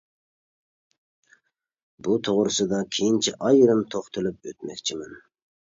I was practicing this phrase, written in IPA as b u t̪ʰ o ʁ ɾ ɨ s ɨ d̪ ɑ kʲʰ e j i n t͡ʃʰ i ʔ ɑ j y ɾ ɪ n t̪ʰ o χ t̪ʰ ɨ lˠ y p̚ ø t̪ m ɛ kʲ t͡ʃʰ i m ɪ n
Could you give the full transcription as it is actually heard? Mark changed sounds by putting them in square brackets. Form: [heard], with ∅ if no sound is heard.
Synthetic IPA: b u t̪ʰ o ʁ ɾ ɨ s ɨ d̪ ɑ kʲʰ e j i n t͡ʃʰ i ʔ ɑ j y ɾ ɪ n t̪ʰ o χ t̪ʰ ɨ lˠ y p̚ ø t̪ m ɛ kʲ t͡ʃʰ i m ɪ n